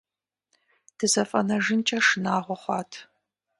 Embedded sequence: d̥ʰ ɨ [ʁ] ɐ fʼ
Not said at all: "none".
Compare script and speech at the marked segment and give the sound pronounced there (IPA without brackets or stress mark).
z